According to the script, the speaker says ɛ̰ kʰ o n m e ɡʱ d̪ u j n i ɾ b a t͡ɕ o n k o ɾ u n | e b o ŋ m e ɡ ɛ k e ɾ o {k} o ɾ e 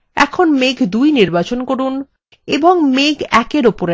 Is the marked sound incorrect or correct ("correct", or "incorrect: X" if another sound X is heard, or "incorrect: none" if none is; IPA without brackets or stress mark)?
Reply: incorrect: p